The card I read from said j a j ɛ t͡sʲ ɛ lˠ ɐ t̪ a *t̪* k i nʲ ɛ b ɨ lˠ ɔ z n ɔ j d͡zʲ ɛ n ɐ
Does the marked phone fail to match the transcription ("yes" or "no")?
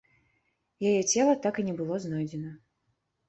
yes